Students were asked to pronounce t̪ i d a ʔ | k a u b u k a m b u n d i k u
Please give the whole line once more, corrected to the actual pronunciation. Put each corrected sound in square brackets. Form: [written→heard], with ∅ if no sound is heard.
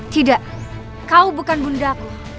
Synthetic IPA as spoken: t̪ i d a ʔ | k a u b u k a [m→n] b u n d [i→a] k u